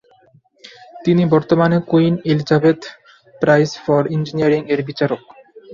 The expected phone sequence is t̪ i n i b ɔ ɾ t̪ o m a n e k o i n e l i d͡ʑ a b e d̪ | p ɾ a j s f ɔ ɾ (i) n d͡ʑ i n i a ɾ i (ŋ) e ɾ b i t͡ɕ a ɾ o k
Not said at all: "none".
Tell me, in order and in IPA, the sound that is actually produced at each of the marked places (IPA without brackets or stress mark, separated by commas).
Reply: i, ŋ